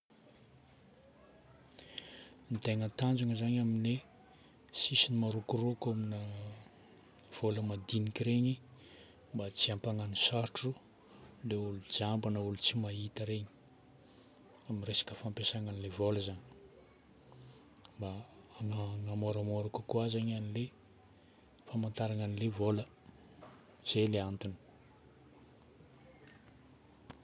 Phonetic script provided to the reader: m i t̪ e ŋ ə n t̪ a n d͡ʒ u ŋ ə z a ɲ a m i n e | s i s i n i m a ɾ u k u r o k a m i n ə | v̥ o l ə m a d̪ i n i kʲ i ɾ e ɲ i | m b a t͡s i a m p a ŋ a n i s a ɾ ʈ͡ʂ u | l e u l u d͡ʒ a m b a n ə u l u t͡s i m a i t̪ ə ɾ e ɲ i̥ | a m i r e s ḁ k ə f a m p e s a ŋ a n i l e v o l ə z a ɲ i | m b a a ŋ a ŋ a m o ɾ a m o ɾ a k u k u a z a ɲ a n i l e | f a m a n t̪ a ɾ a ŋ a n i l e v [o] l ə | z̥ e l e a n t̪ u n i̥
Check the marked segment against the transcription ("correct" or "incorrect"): correct